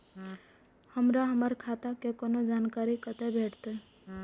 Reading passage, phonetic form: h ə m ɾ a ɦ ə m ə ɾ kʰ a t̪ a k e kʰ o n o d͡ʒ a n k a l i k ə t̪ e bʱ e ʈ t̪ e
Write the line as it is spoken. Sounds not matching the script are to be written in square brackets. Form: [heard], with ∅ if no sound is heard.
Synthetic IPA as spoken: h ə m ɾ a ɦ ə m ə ɾ kʰ a t̪ a k e [k] o n o d͡ʒ a n k a [ɾ] i k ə t̪ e bʱ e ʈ t̪ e